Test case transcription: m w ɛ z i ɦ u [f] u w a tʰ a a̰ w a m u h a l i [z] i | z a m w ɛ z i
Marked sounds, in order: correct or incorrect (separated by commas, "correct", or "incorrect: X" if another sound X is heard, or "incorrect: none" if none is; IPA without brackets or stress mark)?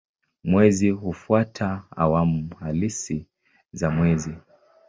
correct, incorrect: s